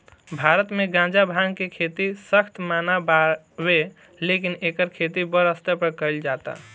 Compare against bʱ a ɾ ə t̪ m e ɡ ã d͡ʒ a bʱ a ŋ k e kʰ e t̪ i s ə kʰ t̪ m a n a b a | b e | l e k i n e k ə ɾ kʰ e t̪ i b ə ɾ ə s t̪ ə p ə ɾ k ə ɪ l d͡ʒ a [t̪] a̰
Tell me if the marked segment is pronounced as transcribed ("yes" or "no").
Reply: yes